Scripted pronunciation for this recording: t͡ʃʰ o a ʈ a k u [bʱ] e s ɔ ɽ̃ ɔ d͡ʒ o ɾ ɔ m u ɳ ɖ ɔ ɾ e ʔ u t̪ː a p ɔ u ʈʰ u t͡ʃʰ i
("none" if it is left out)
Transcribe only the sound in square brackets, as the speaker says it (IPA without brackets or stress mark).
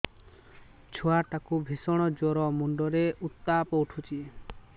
bʱ